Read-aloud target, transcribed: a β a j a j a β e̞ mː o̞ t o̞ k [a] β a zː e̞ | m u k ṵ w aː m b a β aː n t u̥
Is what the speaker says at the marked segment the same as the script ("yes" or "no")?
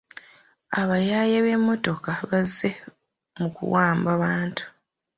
yes